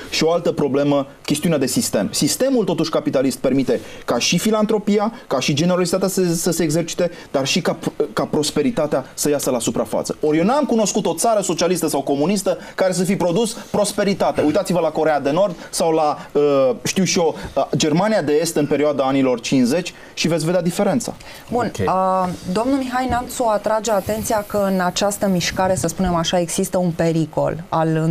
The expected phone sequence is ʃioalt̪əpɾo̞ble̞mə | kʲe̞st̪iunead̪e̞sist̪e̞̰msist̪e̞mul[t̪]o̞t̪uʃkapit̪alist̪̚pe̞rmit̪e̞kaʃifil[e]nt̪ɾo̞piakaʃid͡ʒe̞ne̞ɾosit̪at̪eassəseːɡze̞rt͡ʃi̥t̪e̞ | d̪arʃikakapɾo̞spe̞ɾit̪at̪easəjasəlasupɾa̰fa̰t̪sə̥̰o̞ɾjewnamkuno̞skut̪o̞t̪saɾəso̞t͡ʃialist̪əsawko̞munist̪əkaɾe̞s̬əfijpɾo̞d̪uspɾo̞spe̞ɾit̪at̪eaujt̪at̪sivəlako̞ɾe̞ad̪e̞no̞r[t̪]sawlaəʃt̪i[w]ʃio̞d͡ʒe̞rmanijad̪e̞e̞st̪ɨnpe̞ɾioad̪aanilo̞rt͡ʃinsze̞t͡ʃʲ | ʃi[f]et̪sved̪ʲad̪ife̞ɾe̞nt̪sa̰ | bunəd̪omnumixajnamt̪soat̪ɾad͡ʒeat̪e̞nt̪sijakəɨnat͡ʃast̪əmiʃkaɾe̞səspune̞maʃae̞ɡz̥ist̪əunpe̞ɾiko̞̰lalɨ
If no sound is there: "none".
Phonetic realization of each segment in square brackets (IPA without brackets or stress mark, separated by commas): t̪, a, d̪, w, v